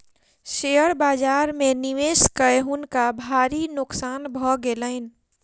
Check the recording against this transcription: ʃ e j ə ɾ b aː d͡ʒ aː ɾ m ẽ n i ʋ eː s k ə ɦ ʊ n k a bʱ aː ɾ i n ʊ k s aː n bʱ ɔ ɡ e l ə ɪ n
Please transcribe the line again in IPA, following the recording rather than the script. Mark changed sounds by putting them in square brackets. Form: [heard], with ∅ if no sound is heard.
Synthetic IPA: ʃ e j ə ɾ b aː d͡ʒ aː ɾ m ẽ n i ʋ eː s k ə ɦ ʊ n k a bʱ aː ɾ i n ʊ k s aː n bʱ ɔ ɡ e l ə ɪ n